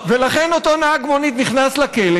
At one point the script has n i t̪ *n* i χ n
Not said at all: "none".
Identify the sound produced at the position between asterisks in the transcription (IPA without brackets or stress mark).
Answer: n